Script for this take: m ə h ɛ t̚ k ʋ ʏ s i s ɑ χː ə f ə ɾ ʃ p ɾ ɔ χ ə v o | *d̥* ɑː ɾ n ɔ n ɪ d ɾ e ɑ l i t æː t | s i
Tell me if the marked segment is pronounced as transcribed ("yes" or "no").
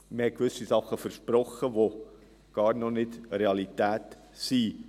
no